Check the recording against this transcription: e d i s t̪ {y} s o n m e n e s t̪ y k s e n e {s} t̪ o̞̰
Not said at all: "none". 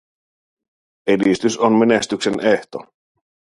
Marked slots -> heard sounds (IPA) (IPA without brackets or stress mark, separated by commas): y, h